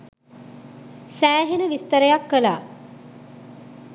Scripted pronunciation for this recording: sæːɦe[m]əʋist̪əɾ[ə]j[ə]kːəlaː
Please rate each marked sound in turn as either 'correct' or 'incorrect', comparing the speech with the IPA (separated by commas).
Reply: incorrect, correct, incorrect